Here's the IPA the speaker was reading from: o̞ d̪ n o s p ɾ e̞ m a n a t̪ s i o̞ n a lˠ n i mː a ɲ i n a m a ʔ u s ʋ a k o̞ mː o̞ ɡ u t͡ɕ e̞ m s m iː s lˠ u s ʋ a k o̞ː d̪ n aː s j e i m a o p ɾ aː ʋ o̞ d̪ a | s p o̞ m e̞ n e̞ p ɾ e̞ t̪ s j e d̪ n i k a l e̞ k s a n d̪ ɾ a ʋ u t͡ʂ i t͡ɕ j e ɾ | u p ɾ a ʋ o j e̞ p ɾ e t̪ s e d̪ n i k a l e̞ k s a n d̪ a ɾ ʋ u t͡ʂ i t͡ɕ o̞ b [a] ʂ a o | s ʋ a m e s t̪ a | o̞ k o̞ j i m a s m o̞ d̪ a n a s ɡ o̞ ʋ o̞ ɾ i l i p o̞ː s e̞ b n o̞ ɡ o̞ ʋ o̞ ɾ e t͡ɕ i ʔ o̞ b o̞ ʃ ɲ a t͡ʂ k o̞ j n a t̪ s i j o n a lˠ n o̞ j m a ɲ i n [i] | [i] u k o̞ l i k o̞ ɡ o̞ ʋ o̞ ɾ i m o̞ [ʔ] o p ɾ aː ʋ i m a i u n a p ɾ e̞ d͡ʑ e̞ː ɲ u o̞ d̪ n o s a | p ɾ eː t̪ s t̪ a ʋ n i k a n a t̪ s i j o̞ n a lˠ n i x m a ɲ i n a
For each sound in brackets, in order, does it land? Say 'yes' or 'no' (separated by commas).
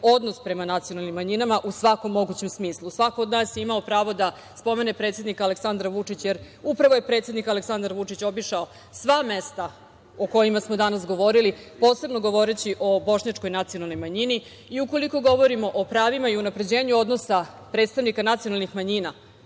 no, yes, yes, yes